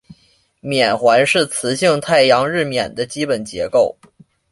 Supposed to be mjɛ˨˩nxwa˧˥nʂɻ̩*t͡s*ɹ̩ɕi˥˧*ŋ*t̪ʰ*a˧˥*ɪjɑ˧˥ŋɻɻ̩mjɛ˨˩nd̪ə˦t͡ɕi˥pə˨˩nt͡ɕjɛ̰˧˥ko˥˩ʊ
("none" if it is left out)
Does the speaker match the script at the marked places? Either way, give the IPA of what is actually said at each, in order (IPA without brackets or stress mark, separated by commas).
t͡sʰ, ŋ, a˥˩